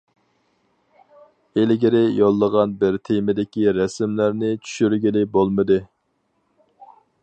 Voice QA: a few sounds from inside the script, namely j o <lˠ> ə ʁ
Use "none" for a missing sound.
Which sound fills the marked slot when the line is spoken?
lˠː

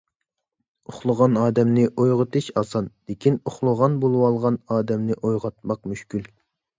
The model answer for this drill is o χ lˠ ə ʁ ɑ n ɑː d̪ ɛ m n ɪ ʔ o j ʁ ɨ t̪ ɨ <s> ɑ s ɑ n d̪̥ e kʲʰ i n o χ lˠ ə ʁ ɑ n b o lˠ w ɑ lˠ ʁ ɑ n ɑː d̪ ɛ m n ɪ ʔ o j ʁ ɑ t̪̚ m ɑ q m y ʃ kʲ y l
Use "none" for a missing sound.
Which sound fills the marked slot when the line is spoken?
ʃ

